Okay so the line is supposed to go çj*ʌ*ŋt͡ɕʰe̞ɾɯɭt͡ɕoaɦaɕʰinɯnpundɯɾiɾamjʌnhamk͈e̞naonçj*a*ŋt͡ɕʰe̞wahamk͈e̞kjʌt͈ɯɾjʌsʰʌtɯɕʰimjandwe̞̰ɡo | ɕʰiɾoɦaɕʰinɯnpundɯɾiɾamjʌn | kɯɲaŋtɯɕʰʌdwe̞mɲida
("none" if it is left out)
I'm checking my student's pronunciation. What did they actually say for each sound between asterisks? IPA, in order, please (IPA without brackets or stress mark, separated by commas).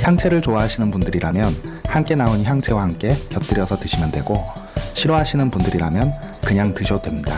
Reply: a, a